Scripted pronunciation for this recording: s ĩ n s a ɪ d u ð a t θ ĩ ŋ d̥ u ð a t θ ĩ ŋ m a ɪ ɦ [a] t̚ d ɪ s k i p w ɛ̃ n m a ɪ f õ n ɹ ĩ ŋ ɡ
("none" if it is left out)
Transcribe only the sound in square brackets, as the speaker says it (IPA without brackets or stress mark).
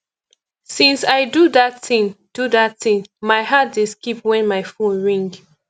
a